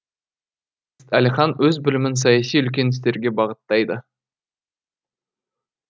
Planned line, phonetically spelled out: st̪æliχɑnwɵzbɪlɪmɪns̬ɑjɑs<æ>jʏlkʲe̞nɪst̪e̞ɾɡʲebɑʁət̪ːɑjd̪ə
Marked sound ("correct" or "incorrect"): incorrect